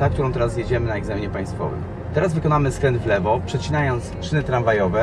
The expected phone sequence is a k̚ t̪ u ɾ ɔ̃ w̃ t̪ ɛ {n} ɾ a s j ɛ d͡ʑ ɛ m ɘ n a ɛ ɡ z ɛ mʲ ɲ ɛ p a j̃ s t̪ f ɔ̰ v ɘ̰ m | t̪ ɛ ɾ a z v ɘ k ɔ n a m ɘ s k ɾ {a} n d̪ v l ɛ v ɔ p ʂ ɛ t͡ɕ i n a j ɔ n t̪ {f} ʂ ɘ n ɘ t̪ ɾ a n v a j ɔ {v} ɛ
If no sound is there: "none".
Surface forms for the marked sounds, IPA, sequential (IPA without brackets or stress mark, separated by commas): none, ɛ, s, v